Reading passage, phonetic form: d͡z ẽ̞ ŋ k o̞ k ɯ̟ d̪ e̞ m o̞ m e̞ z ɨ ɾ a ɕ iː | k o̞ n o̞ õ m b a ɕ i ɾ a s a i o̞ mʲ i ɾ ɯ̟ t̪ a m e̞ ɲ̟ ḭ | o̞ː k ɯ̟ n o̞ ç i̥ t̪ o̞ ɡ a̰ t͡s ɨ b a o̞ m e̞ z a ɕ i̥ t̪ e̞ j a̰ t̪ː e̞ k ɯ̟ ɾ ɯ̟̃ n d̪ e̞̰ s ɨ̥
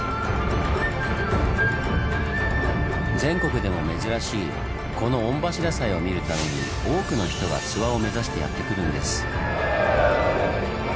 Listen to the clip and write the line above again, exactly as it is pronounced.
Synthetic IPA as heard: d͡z ẽ̞ ŋ k o̞ k ɯ̟ d̪ e̞ m o̞ m e̞ z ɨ ɾ a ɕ iː | k o̞ n o̞ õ m b a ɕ i ɾ a s a i o̞ mʲ i ɾ ɯ̟ t̪ a m e̞ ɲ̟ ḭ | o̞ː k ɯ̟ n o̞ ç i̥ t̪ o̞ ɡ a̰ t͡s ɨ β a o̞ m e̞ z a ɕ i̥ t̪ e̞ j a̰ t̪ː e̞ k ɯ̟ ɾ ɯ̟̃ n d̪ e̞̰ s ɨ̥